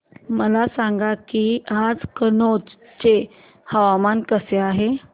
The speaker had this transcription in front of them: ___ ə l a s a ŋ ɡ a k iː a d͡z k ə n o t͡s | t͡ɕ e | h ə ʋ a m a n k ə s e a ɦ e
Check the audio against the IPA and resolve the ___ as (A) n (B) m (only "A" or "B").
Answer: B